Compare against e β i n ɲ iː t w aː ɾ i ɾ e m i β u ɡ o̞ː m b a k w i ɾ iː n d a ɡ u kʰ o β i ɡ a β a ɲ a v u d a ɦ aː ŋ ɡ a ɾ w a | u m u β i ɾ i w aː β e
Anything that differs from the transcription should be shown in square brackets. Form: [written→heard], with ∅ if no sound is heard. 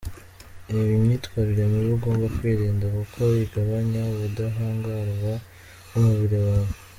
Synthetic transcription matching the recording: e β i [n→m] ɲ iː t w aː ɾ i ɾ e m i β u ɡ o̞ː m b a k w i ɾ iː n d a [ɡ→k] u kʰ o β i ɡ a β a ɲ a [v→β] u d a ɦ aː ŋ ɡ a ɾ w a | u m u β i ɾ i w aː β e